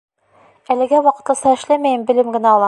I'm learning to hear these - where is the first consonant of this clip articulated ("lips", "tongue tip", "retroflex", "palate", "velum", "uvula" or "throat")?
tongue tip